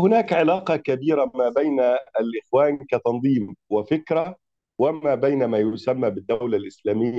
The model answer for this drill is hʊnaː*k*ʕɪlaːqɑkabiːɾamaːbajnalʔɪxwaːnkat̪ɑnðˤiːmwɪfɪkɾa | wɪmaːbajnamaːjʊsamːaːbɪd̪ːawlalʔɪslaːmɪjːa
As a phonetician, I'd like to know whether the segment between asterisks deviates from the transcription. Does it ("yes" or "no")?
no